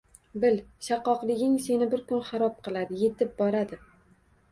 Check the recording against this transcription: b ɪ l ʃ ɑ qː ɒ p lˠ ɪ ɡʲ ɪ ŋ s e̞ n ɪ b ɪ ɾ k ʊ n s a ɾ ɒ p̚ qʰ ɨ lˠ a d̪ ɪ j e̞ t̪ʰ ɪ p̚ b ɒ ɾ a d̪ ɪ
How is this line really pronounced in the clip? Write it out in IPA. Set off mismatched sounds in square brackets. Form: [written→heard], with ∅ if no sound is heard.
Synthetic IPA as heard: b ɪ l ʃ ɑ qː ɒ [p→q] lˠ ɪ ɡʲ ɪ ŋ s e̞ n ɪ b ɪ ɾ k ʊ n [s→χ] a ɾ ɒ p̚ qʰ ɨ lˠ a d̪ ɪ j e̞ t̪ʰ ɪ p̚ b ɒ ɾ a d̪ ɪ